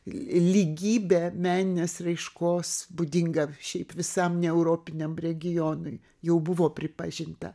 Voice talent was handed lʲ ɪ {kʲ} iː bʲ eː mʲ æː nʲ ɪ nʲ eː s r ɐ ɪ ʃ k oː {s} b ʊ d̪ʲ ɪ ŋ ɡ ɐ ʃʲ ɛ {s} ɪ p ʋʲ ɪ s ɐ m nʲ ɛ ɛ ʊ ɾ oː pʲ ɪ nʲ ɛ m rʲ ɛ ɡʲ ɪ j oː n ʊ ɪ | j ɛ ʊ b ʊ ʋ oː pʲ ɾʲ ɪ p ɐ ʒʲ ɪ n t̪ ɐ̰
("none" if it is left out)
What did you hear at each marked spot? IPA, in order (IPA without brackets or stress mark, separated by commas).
ɡʲ, s, none